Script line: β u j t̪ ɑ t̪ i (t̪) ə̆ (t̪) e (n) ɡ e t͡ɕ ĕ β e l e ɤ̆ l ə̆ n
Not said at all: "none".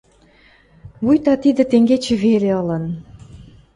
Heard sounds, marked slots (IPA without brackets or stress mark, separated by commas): d̪, t̪, ŋ